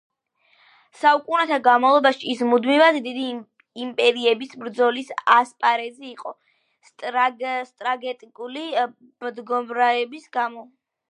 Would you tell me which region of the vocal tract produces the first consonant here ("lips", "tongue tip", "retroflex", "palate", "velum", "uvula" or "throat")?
tongue tip